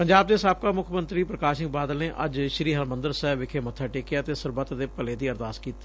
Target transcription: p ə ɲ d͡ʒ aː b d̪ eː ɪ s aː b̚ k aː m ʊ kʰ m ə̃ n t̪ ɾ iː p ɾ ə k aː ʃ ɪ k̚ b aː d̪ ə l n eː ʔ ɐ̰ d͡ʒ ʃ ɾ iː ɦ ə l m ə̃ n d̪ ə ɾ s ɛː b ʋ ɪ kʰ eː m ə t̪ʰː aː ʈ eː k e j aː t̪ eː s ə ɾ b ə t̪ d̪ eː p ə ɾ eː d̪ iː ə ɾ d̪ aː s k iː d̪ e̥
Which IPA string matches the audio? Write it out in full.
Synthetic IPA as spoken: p ə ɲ d͡ʒ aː b d̪ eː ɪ s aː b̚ k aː m ʊ kʰ m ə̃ n t̪ ɾ iː p ɾ ə k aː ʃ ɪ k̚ b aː d̪ ə l n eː ʔ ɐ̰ d͡ʒ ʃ ɾ iː ɦ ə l m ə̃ n d̪ ə ɾ s ɛː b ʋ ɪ kʰ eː m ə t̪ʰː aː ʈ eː k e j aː t̪ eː s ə ɾ b ə t̪ d̪ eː p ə l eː d̪ iː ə ɾ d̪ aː s k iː t̪ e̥